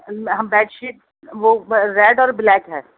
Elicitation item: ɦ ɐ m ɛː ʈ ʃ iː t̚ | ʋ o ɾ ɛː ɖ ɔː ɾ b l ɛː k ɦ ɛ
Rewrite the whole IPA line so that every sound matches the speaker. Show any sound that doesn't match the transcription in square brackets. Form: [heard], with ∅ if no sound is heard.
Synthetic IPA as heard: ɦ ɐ [b] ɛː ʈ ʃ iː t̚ | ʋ o ɾ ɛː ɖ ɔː ɾ b l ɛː k ɦ [ɛː]